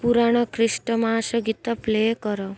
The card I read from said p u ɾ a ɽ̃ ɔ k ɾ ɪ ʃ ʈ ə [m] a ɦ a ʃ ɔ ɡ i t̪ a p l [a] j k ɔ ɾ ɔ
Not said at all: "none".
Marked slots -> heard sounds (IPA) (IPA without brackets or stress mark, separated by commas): m, e